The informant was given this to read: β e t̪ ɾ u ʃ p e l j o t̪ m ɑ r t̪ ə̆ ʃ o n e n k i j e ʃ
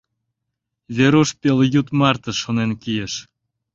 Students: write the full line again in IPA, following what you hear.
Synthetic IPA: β e ɾ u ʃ p e l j u t̪ m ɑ r t̪ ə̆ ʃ o n e n k i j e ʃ